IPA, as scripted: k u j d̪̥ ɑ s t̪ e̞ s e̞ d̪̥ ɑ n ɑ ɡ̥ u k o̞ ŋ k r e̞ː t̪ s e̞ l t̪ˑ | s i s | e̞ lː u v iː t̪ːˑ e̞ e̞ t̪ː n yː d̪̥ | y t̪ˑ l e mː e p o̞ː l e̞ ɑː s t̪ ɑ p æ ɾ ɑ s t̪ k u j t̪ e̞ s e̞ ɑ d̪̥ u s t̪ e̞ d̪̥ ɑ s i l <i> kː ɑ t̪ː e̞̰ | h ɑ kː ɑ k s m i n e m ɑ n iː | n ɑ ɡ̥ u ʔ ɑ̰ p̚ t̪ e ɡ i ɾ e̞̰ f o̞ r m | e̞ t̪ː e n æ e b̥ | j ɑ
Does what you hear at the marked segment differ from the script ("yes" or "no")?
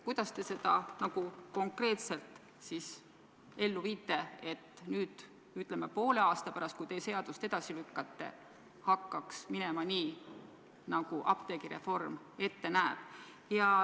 yes